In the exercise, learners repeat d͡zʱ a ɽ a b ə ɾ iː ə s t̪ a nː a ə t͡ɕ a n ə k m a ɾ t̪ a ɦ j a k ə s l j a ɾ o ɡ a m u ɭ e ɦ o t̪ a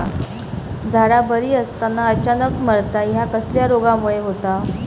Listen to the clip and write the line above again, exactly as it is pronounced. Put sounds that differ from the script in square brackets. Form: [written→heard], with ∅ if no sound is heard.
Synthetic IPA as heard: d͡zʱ a ɽ a b ə ɾ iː ə s t̪ a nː a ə t͡ɕ a n ə k m [a→ə] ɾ t̪ a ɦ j a k ə s l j a ɾ o ɡ a m u ɭ e ɦ o t̪ a